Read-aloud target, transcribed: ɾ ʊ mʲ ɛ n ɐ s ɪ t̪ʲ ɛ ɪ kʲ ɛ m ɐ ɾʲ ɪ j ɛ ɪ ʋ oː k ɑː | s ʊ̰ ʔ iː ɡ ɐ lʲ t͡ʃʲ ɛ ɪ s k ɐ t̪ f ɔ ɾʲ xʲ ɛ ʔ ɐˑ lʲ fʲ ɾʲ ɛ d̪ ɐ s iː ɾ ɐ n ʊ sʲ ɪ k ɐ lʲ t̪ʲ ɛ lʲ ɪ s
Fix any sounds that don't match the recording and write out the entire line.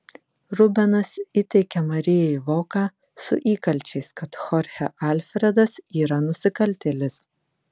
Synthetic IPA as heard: ɾ ʊ bʲ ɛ n ɐ s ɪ t̪ʲ ɛ ɪ kʲ ɛ m ɐ ɾʲ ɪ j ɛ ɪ ʋ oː k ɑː | s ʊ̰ ʔ iː k ɐ lʲ t͡ʃʲ ɛ ɪ s k ɐ t̪ x ɔ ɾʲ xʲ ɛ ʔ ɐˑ lʲ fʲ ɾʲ ɛ d̪ ɐ s iː ɾ ɐ n ʊ sʲ ɪ k ɐ lʲ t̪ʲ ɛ lʲ ɪ s